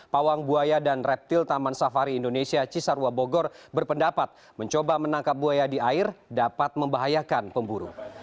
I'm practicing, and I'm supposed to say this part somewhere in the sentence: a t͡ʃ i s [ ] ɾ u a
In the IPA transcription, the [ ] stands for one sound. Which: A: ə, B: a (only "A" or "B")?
B